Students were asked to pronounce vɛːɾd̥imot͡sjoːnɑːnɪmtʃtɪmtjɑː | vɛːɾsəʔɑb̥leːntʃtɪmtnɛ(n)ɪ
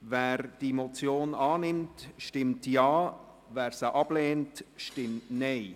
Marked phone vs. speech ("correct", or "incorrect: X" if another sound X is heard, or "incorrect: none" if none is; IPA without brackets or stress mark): incorrect: none